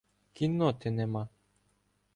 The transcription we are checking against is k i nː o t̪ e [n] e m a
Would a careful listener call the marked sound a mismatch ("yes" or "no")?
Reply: no